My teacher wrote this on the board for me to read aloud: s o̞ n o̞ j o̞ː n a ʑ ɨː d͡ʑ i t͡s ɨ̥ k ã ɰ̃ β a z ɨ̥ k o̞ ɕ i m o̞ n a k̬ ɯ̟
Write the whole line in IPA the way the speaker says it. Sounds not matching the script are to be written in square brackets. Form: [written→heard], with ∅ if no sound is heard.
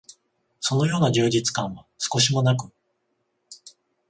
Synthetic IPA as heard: s o̞ n o̞ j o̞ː n a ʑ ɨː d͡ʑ i t͡s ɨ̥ k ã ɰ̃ β a [z→s] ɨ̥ k o̞ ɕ i m o̞ n a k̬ ɯ̟